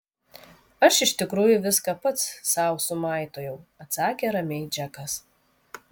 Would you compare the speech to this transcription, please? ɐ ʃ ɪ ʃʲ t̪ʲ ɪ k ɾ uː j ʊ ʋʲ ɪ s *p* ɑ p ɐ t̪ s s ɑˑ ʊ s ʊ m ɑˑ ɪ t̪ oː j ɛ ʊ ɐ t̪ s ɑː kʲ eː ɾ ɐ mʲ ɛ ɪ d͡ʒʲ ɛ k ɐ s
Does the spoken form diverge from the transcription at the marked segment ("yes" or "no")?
yes